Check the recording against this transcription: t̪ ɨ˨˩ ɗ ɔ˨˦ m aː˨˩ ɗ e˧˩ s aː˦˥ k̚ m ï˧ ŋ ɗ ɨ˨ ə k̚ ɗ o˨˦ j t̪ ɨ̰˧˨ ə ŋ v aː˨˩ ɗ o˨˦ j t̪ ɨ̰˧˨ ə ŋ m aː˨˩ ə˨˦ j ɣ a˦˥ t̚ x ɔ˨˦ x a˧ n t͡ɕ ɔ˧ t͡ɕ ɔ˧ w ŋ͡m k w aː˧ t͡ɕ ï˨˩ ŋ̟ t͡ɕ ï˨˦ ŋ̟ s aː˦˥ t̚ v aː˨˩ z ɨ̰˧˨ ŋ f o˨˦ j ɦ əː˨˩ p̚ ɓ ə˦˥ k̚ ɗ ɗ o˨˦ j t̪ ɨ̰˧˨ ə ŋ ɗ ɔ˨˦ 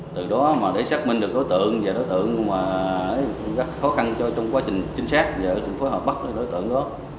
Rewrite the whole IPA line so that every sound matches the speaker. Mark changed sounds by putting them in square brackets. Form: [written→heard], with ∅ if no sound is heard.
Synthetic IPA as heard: t̪ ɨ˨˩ ɗ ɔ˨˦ m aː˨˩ ɗ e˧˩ s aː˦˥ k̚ m ï˧ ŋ ɗ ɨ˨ ə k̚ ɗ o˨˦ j t̪ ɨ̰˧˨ ə ŋ v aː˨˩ ɗ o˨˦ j t̪ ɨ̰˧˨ ə ŋ m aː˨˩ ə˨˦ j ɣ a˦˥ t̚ x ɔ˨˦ x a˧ n t͡ɕ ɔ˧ t͡ɕ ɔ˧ w ŋ͡m k w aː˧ t͡ɕ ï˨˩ ŋ̟ t͡ɕ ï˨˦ ŋ̟ s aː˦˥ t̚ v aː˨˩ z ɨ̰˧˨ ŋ f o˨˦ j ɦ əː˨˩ p̚ ɓ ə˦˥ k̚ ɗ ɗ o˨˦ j t̪ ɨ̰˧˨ ə ŋ ɗ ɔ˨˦